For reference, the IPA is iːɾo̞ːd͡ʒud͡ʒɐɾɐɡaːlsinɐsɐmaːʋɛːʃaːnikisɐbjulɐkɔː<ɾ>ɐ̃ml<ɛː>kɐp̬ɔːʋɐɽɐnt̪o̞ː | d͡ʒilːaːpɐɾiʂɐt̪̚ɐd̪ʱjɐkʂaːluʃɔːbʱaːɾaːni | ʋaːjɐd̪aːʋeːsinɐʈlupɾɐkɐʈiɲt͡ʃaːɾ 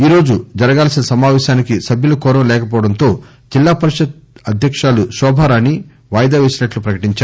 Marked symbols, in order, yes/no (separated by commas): yes, yes